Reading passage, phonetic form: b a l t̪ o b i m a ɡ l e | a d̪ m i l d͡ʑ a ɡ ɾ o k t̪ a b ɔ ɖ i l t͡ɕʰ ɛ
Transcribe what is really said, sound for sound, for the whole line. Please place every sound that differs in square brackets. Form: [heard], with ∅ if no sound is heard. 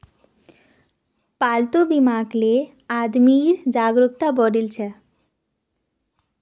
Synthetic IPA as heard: [p] a l t̪ o b i m a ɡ l e | a d̪ m i [ɾ] d͡ʑ a ɡ ɾ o k t̪ a b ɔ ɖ i l t͡ɕʰ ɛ